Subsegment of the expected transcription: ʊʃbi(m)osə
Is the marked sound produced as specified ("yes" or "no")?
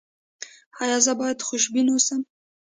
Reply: no